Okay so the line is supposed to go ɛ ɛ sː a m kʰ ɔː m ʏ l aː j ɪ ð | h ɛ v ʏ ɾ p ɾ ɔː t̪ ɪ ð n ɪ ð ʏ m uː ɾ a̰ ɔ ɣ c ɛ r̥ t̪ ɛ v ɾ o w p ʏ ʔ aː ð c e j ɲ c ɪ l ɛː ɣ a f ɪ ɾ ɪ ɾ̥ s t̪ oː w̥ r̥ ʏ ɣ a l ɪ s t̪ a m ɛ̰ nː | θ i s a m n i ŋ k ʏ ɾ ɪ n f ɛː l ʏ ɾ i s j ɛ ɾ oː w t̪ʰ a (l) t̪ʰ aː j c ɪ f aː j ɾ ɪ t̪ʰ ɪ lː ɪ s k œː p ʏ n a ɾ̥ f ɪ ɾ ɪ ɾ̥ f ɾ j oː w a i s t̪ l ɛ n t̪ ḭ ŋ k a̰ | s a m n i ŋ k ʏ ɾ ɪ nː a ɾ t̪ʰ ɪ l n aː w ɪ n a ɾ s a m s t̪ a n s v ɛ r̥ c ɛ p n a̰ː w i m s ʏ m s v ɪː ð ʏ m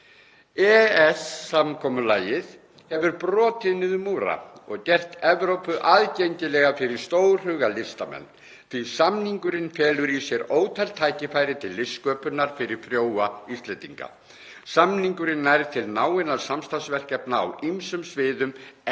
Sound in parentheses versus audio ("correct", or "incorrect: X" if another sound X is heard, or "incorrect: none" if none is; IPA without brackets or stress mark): correct